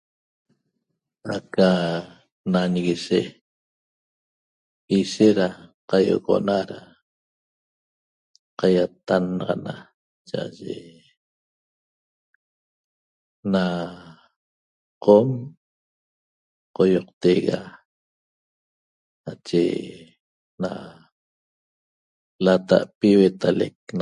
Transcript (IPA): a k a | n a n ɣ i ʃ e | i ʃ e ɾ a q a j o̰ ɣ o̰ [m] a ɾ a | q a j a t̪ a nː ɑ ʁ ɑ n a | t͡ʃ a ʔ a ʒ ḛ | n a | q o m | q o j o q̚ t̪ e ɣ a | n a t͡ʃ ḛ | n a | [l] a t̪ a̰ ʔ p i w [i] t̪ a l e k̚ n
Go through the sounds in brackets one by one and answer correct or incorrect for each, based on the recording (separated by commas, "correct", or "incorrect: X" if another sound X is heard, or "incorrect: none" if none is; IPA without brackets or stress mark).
incorrect: n, correct, incorrect: e